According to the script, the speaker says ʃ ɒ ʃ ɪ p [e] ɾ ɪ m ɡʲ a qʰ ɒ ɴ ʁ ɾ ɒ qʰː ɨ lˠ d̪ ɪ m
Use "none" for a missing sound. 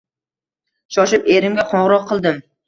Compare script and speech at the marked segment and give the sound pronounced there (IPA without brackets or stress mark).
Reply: e